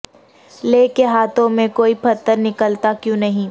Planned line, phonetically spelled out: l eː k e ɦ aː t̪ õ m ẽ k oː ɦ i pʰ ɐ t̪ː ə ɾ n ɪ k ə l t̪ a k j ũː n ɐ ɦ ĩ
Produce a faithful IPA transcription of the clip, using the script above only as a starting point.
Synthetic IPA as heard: l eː k e ɦ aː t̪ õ m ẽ k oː i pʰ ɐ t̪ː ə ɾ n ɪ k ə l t̪ a k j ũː n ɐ ɦ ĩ